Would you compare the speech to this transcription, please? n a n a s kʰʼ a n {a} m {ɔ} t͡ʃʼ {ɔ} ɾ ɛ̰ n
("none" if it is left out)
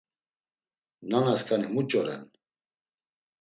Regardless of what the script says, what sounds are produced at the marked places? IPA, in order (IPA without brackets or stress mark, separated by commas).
i, u, ɔ